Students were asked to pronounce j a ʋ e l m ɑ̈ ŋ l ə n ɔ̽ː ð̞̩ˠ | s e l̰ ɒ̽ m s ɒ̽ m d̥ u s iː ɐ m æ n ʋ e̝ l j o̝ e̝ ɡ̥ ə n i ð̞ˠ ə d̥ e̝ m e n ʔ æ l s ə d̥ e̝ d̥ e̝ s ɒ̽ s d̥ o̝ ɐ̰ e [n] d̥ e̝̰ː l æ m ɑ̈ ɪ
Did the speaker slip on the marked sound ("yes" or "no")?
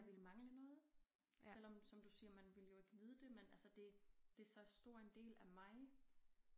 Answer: no